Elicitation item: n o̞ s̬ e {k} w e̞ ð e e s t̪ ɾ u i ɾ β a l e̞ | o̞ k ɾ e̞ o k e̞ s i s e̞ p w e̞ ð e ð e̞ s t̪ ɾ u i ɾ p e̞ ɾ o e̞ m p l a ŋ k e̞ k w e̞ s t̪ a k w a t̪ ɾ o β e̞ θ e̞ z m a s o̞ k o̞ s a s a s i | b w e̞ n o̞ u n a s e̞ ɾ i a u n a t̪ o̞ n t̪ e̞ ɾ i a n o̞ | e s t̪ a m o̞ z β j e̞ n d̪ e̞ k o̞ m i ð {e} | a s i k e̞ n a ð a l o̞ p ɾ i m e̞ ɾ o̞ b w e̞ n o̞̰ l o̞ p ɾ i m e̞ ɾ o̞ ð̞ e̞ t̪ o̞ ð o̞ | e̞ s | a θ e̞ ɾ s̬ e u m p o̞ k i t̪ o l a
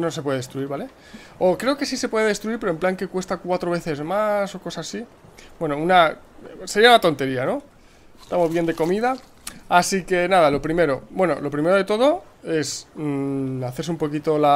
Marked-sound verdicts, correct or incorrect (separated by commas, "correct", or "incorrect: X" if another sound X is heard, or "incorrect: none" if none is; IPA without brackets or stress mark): incorrect: p, incorrect: a